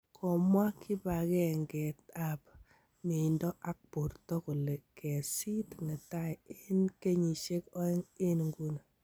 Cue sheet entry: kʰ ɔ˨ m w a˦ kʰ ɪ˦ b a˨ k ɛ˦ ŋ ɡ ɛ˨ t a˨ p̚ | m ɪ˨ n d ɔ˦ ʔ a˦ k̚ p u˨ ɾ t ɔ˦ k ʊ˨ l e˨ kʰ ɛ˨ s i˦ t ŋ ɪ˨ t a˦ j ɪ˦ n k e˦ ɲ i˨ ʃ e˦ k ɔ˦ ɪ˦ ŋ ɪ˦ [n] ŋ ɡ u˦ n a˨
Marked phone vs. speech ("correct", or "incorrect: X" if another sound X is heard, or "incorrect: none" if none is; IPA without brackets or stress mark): correct